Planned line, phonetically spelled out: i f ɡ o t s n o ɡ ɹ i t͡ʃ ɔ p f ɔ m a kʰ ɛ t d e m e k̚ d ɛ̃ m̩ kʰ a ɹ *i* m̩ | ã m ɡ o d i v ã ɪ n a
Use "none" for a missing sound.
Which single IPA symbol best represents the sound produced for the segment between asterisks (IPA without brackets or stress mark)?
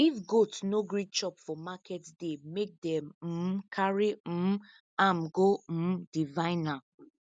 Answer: i